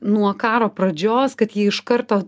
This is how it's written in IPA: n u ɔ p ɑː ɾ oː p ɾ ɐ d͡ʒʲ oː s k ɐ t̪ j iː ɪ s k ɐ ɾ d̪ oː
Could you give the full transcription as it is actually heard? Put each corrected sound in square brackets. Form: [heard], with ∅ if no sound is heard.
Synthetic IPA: n u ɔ [k] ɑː ɾ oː p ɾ ɐ d͡ʒʲ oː s k ɐ t̪ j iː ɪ [ʃ] k ɐ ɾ [t̪] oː